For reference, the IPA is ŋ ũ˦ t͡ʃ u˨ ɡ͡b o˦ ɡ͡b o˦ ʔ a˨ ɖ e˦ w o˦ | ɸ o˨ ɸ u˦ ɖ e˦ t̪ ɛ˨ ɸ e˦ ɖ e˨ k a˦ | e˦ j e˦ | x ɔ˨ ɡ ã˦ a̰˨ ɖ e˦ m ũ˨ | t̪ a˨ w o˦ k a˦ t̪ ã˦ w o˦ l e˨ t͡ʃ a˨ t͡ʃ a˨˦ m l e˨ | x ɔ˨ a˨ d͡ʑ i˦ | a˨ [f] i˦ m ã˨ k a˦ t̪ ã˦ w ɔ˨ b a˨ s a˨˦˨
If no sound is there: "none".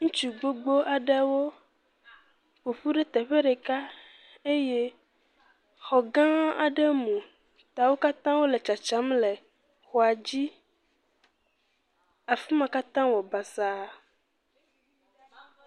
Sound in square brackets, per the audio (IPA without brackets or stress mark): f